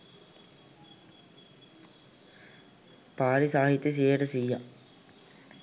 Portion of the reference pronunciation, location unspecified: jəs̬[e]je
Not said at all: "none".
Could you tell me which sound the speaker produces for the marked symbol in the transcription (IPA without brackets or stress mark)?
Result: i